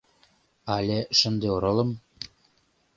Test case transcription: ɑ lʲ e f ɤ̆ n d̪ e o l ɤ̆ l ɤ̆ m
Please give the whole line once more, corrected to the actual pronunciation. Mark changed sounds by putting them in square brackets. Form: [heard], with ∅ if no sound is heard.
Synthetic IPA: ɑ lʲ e [ʃ] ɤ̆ n d̪ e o [ɾ] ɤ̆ l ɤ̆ m